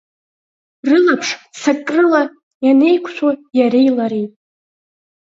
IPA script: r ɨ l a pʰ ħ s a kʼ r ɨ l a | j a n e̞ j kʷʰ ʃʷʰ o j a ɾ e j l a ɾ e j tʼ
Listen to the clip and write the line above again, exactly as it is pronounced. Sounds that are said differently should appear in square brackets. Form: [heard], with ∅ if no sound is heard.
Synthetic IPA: r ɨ l a pʰ [ʂ] s a kʼ r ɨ l a | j a n e̞ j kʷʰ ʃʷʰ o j a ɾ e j l a ɾ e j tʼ